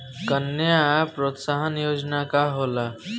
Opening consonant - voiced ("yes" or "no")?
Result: no